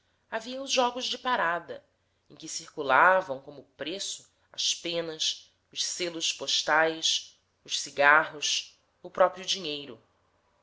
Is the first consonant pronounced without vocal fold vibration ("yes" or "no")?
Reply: no